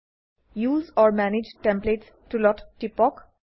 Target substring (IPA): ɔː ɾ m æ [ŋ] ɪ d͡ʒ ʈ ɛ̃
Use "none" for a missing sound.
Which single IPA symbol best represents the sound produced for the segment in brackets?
n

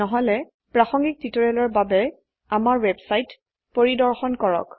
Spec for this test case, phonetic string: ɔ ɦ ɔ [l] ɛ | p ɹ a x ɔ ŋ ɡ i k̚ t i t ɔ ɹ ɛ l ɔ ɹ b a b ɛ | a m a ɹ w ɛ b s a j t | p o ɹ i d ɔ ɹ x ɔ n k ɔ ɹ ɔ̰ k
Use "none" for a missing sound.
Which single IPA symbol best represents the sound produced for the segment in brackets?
l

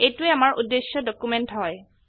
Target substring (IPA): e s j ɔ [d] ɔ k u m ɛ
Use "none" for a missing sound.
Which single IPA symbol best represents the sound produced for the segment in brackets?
d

